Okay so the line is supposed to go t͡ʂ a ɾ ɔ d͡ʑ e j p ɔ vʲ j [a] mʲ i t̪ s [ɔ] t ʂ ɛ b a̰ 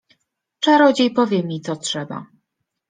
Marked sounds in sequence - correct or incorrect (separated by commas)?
incorrect, correct